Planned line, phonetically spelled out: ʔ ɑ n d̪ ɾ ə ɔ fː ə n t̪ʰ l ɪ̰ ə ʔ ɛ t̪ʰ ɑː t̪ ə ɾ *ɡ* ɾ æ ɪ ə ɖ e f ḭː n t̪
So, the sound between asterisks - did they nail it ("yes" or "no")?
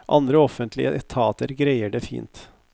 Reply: yes